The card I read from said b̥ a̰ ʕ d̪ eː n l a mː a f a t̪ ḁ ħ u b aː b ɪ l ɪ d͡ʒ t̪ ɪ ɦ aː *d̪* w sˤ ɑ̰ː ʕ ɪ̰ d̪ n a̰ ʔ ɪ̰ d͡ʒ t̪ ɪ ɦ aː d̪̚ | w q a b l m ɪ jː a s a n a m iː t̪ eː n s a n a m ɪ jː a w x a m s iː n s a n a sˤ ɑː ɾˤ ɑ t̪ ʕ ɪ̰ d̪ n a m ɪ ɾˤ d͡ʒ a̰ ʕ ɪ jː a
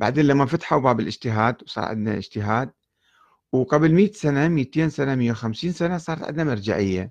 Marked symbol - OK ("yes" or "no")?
yes